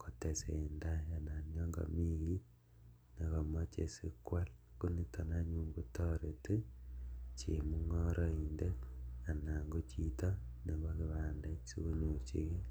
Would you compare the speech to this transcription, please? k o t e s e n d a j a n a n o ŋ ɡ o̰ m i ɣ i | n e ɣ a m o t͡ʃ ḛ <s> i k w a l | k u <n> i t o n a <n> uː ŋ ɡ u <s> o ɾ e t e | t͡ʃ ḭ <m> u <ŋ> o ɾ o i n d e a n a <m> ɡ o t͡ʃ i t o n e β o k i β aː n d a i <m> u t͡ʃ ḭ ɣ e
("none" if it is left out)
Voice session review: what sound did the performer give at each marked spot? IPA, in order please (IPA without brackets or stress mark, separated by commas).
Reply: s, n, ɲ, t, m, ŋ, ŋ, ɲ